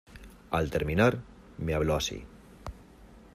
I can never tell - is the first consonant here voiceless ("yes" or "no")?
no